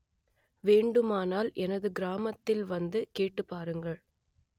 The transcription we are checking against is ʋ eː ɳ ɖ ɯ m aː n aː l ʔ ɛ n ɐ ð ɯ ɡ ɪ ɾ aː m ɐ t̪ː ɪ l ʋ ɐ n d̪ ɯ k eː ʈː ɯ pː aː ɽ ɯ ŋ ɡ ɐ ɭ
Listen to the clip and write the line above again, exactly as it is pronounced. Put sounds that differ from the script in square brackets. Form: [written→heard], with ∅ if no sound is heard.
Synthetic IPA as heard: ʋ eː ɳ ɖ ɯ m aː n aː l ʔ ɛ n ɐ ð ɯ ɡ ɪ ɾ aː m ɐ t̪ː ɪ l ʋ ɐ n d̪ ɯ k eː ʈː ɯ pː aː [ɽ→ɾ] ɯ ŋ ɡ ɐ ɭ